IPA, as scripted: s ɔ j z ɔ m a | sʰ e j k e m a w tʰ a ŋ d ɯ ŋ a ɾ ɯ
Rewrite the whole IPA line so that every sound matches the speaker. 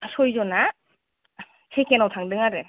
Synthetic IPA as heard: s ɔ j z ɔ n a | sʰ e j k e n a w tʰ a ŋ d ɯ ŋ a ɾ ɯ